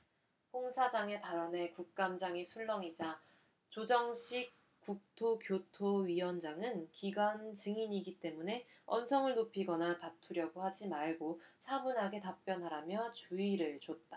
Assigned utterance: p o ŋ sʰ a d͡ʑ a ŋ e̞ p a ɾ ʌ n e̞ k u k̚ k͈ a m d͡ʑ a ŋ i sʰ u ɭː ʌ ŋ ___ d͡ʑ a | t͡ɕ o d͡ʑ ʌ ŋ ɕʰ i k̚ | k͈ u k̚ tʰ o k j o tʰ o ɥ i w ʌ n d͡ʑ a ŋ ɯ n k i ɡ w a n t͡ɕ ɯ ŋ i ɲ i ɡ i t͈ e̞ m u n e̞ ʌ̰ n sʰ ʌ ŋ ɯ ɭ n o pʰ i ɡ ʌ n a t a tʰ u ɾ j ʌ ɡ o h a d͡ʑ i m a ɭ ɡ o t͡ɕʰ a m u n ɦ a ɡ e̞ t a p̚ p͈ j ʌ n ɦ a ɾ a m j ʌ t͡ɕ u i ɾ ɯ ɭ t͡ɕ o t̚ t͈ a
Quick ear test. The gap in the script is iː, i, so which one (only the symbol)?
i